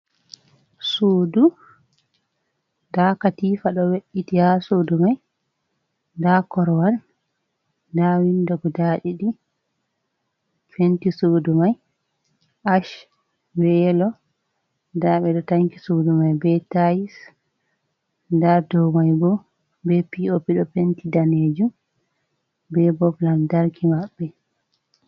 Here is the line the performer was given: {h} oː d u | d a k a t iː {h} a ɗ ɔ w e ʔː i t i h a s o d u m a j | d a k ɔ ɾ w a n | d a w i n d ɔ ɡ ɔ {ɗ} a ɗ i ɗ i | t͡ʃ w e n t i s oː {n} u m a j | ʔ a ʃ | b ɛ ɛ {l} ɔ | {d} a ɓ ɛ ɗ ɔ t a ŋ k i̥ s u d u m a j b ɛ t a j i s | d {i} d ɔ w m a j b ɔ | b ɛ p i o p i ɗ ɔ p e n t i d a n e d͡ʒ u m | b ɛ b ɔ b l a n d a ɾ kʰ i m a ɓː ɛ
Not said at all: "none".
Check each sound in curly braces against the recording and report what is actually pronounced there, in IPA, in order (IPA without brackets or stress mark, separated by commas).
s, f, d, d, l, d, a